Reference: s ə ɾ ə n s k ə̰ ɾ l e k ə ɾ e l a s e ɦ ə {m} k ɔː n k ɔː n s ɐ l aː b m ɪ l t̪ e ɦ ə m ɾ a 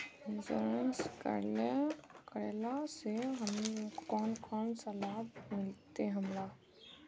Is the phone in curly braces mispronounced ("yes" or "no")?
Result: no